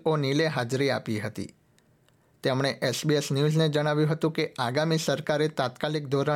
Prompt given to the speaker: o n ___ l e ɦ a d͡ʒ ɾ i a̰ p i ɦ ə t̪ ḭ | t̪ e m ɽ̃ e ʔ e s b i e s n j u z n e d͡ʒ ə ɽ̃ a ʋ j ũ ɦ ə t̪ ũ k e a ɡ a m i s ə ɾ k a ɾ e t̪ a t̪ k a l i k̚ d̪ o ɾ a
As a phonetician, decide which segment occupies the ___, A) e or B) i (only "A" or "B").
B